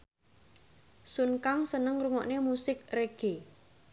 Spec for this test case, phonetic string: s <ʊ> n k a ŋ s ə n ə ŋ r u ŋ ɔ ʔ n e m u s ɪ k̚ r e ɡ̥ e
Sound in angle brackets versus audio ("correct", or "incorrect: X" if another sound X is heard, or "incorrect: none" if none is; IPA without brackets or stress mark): incorrect: u